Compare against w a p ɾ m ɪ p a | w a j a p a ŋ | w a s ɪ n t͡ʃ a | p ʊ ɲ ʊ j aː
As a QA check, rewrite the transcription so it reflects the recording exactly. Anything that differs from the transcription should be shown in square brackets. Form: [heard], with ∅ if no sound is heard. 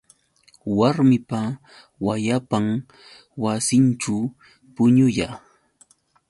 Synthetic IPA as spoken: w a [∅] ɾ m ɪ p a | w a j a p a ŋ | w a s ɪ n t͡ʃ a | p ʊ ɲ ʊ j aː